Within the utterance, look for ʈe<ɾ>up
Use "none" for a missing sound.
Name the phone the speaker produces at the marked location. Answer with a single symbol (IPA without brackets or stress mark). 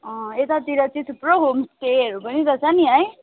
ɾ